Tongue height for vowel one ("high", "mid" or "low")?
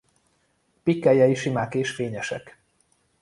high